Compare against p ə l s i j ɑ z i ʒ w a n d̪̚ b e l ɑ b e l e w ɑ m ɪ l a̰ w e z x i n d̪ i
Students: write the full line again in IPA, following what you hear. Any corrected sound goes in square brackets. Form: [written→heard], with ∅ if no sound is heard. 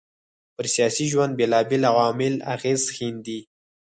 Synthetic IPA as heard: p ə [l→ɾ] s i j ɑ [z→s] i ʒ w a n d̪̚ b e l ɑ b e l [e→a] w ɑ m ɪ l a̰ [w→ɣ] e z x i n d̪ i

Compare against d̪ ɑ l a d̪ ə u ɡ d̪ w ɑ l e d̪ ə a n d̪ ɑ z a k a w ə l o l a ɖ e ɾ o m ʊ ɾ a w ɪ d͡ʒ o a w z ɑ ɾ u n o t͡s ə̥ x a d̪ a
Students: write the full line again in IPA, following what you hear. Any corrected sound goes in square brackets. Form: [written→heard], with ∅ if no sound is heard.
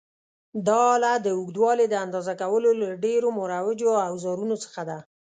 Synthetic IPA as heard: d̪ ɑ l a d̪ ə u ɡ d̪ w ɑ l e d̪ ə a n d̪ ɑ z a k a w ə l o l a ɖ e ɾ o m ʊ ɾ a w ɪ d͡ʒ o a w z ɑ ɾ u n o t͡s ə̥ x a d̪ a

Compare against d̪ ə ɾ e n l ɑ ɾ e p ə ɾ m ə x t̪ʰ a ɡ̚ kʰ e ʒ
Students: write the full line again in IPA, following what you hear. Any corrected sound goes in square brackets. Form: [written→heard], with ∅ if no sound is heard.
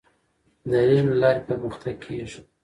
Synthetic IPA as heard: d̪ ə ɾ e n l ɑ ɾ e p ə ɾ m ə x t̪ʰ a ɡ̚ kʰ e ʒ

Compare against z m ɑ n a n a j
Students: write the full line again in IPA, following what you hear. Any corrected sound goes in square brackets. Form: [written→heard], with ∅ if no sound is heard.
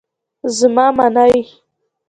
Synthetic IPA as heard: z m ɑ [n→m] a n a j

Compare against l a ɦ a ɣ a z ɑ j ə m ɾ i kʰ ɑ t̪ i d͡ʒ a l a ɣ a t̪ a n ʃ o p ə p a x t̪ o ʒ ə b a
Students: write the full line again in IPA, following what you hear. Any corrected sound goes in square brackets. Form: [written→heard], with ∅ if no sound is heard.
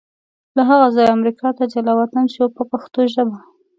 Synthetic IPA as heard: l a ɦ a ɣ a z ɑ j [ə→a] m ɾ i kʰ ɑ t̪ [i→a] d͡ʒ a l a [ɣ→w] a t̪ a n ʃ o p ə p a x t̪ o ʒ ə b a

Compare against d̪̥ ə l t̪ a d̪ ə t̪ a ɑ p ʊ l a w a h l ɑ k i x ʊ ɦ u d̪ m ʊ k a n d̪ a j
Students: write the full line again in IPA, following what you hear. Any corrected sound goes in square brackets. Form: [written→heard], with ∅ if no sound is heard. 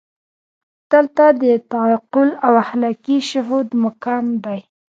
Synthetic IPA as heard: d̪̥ ə l t̪ a d̪ ə t̪ a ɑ [p→q] ʊ l a w a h l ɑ k i [x→ʃ] ʊ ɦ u d̪ m ʊ k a [n→m] d̪ a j

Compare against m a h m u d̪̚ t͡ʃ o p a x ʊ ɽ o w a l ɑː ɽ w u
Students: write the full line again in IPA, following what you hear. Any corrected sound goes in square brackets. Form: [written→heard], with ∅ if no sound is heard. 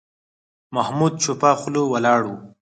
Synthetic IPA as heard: m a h m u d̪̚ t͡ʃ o p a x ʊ [ɽ→l] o w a l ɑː ɽ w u

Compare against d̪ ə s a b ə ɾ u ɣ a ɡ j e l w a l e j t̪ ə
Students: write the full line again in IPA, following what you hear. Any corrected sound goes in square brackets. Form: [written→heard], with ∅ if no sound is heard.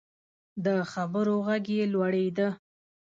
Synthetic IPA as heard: d̪ ə [s→x] a b ə ɾ [u→o] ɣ a ɡ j e l w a [l→ɽ] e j [t̪→d̪] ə

